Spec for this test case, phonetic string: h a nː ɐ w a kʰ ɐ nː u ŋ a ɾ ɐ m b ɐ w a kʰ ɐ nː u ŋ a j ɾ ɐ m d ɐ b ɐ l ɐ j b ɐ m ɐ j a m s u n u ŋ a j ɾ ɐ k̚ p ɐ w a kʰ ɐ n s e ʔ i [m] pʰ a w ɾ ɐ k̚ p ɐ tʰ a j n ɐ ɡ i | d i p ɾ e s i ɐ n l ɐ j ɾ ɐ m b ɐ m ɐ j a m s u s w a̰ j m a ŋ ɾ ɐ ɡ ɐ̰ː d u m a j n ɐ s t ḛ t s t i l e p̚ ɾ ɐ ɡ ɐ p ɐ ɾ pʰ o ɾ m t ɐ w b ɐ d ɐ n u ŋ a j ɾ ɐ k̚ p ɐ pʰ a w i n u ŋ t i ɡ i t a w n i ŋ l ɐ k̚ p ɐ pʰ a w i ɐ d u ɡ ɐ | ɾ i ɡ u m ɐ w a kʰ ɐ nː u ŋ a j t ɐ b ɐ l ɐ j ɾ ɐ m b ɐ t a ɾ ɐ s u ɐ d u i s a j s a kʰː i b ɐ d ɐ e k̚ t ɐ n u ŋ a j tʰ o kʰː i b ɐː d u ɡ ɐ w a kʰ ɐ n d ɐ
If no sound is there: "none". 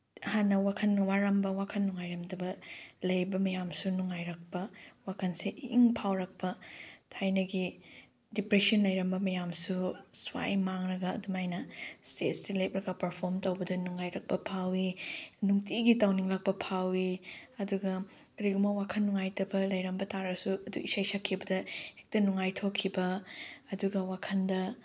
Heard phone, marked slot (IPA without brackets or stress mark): ŋ